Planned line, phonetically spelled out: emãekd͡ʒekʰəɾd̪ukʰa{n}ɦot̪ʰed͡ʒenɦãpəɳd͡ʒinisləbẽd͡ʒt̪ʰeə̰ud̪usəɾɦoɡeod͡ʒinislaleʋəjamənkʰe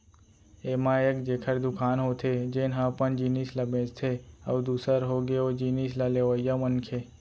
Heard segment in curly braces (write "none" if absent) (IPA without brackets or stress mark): n